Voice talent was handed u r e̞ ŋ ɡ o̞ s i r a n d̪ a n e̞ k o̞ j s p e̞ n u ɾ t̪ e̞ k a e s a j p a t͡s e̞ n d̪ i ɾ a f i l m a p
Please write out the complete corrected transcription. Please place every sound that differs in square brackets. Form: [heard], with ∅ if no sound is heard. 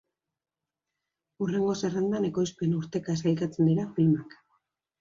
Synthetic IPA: u r e̞ ŋ ɡ o̞ s [e] r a n d̪ a n e̞ k o̞ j s p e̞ n u ɾ t̪ e̞ k a e s a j [k] a t͡s e̞ n d̪ i ɾ a f i l m a [k]